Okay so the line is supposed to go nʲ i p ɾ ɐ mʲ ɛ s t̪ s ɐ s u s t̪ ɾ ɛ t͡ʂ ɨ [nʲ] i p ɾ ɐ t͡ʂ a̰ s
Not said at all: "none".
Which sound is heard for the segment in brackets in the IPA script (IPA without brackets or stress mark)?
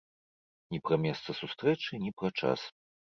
nʲ